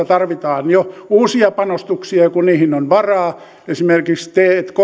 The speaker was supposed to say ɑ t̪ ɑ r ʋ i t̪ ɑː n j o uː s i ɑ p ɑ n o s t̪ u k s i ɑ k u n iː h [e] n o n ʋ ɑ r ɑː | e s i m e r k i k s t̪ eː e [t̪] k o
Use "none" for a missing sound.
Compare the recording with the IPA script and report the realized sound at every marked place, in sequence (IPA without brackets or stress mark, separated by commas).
i, t̪